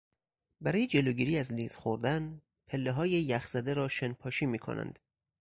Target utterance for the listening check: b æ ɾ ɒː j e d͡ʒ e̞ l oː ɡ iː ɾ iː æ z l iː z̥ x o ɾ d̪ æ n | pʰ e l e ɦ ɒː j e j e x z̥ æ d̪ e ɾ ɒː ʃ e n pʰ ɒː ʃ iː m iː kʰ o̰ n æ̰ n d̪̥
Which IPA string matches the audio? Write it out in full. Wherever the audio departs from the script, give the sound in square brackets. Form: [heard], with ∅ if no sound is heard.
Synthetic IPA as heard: b æ ɾ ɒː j e d͡ʒ e̞ l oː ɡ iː ɾ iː æ z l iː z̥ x o ɾ d̪ æ n | pʰ e [lː] e ɦ ɒː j e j [æ] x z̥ æ d̪ e ɾ ɒː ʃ e n pʰ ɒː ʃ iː m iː kʰ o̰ n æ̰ n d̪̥